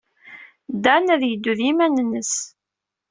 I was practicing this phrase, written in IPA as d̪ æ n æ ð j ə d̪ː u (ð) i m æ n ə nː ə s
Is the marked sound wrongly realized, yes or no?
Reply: no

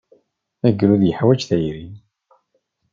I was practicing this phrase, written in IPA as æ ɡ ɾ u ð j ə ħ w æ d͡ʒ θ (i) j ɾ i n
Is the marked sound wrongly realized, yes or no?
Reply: yes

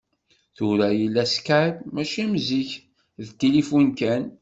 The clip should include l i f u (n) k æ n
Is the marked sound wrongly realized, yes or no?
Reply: no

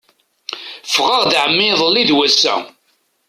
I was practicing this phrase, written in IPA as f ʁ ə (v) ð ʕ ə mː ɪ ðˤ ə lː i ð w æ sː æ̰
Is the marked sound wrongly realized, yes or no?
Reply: yes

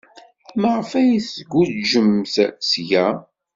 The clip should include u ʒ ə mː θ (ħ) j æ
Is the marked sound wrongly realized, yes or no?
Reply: yes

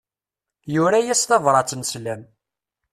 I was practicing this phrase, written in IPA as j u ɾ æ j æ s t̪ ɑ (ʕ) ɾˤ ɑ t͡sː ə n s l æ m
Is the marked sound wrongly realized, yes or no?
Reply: yes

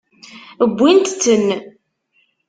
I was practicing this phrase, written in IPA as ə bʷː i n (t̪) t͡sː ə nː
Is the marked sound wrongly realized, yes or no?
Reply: no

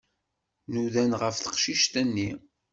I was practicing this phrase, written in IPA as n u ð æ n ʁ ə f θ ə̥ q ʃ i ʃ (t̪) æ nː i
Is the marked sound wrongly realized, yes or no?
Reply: no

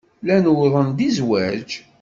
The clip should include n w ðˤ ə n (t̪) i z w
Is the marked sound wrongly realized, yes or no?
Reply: yes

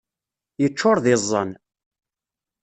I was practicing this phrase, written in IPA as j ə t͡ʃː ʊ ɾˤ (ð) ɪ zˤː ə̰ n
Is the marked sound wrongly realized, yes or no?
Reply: no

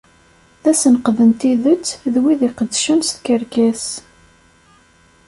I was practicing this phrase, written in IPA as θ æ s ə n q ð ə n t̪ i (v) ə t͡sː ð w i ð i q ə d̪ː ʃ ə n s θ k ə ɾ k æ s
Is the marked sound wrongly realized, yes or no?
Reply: yes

